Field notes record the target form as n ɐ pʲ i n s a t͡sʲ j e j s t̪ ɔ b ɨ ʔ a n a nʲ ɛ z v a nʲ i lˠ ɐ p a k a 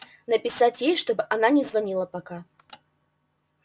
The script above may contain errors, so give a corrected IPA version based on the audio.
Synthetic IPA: n ɐ pʲ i s a t͡sʲ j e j ʂ t̪ ɔ b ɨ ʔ a n a nʲ ɛ z v a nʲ i lˠ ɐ p a k a